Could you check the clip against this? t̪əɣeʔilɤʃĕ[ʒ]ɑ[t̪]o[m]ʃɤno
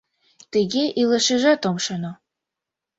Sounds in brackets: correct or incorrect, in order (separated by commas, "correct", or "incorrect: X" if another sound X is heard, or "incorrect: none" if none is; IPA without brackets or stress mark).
correct, correct, correct